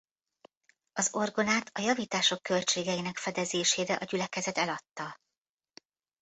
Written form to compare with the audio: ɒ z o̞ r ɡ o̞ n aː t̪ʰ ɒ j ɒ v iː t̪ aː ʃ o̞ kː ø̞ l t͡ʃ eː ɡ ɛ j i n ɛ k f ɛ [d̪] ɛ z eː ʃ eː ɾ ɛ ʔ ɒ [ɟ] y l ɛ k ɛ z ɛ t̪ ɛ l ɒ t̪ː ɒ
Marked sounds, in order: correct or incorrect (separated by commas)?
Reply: correct, correct